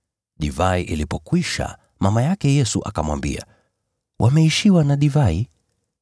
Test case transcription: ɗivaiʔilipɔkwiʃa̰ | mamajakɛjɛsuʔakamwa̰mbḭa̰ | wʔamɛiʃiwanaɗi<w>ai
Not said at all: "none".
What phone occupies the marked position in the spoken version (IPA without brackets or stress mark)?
v